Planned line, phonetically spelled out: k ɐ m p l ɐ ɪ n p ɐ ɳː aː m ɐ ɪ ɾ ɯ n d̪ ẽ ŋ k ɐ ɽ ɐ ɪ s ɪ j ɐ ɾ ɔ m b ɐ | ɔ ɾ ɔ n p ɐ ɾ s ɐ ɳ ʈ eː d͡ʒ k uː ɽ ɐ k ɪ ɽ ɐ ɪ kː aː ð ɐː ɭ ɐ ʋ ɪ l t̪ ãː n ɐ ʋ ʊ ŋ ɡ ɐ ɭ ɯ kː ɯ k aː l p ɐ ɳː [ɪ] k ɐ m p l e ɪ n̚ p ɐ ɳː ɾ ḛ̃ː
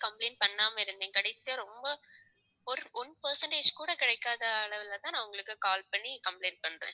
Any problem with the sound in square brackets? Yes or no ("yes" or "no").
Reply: yes